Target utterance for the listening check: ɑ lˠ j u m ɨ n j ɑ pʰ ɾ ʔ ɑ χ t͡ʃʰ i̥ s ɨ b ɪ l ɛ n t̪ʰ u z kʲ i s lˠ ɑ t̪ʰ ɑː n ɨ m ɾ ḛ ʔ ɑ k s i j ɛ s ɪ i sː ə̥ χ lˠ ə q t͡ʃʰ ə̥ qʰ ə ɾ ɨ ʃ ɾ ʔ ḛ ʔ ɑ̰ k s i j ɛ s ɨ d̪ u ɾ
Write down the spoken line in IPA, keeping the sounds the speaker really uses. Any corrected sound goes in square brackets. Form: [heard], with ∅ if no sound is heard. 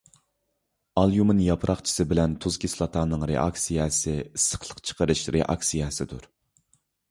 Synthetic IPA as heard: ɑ lˠ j u m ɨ n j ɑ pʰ ɾ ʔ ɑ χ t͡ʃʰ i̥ s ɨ b ɪ l ɛ n t̪ʰ u z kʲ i s lˠ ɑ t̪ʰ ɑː n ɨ [ŋ] ɾ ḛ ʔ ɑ k s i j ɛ s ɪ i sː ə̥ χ lˠ ə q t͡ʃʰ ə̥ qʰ ə ɾ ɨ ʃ ɾ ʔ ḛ ʔ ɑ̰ k s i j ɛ s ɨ d̪ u ɾ